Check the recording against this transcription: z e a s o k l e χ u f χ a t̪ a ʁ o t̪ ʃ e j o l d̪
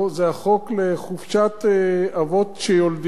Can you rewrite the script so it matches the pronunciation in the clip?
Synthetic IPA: z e a χ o k l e χ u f ʃ a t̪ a v o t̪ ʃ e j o l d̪